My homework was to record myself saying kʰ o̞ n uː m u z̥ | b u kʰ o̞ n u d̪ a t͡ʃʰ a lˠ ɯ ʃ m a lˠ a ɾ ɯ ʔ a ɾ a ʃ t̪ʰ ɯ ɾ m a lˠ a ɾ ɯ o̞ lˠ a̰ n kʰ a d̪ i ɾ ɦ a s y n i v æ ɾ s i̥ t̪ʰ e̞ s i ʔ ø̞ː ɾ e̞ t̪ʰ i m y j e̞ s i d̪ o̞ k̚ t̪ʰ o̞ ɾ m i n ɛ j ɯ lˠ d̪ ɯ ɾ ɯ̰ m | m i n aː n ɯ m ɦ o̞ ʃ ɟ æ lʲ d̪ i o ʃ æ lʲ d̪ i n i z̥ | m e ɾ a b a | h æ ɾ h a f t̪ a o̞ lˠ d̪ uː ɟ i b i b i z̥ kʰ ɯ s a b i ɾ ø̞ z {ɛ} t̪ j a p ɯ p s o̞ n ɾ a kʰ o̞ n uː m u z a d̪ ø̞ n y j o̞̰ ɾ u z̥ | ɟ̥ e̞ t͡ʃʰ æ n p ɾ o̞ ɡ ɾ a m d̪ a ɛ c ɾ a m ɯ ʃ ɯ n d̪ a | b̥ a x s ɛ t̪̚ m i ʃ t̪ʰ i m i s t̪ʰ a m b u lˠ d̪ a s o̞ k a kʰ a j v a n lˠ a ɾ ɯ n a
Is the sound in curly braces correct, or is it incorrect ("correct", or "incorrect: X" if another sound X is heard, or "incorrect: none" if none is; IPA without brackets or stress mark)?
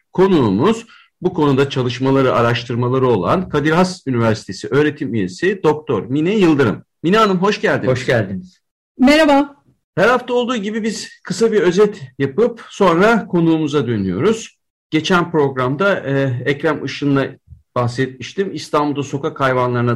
correct